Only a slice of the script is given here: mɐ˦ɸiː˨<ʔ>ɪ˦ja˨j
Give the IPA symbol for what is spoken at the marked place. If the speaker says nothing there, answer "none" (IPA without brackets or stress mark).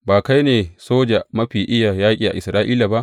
ʔ